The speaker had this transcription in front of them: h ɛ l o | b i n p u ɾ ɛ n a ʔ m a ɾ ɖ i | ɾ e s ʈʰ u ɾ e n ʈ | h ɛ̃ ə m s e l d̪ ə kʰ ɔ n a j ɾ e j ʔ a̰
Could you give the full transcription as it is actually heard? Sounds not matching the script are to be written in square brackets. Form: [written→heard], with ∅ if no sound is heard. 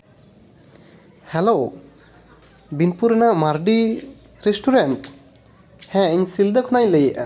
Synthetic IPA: h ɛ l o | b i n p u ɾ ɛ n a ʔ m a ɾ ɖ i | ɾ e s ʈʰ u ɾ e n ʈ | h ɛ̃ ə [m→ɲ] s [e→i] l d̪ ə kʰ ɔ n a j [ɾ→l] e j ʔ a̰